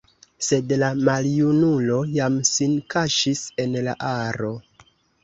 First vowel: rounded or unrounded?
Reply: unrounded